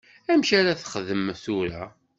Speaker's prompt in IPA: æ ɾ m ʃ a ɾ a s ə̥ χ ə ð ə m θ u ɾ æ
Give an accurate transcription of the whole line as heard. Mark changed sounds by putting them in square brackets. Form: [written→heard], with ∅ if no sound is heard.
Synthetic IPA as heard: æ [ɾ→∅] m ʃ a ɾ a [s→θ] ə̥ χ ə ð ə m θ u ɾ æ